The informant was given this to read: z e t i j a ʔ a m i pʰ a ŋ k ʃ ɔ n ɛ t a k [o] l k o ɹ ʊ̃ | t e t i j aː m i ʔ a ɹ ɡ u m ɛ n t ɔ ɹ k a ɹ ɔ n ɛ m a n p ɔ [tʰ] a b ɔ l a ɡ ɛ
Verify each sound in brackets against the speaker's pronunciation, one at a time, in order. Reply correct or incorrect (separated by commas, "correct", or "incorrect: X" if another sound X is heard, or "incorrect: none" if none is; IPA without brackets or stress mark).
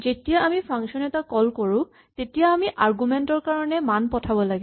incorrect: ɔ, correct